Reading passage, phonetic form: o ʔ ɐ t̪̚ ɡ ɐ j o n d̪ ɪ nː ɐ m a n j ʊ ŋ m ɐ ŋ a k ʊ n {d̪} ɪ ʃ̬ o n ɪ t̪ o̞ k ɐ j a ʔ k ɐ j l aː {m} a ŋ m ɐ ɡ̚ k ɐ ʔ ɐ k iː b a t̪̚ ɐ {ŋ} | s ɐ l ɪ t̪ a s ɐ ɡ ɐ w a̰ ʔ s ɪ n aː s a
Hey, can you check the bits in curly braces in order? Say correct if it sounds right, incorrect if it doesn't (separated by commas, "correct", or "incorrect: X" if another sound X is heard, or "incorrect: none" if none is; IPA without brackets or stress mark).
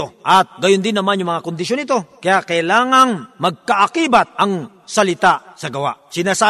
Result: correct, incorrect: ŋ, correct